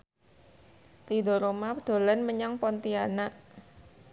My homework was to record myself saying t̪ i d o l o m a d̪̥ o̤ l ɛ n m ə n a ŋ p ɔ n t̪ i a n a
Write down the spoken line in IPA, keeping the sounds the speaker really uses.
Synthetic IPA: t̪ i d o ɾ o m a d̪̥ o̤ l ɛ n m ə ɲ a ŋ p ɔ n t̪ i a n a